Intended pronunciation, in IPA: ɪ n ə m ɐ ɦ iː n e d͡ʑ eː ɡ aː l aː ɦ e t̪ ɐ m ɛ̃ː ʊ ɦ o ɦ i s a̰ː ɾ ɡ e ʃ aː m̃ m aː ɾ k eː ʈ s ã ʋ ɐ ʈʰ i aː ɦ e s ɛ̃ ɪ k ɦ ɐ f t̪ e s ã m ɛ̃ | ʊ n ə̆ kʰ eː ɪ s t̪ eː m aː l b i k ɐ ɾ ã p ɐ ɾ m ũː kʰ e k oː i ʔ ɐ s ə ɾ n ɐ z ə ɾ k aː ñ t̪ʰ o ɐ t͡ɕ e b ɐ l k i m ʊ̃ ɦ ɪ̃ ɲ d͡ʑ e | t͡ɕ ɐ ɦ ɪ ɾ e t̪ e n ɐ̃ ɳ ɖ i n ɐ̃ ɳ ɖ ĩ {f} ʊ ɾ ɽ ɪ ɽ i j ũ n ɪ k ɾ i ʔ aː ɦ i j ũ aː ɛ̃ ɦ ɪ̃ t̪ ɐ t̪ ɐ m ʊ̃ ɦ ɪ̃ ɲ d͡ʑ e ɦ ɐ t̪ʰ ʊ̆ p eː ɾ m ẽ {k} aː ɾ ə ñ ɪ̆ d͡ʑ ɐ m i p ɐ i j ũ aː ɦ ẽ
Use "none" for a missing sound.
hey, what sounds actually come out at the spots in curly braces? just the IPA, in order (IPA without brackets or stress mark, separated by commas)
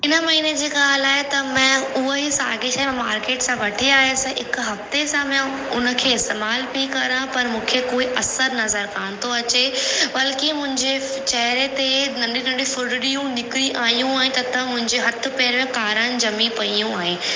f, k